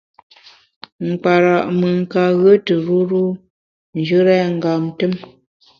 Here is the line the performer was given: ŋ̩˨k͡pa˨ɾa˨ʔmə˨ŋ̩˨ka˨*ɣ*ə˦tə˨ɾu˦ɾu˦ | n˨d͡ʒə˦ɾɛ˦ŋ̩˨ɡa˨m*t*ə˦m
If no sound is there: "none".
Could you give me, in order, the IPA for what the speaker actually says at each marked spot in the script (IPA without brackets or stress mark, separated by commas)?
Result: ɣ, t